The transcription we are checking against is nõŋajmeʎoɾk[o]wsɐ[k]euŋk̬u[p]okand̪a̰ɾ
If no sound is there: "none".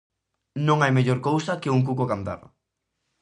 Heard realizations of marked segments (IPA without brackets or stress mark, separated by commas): o, k, k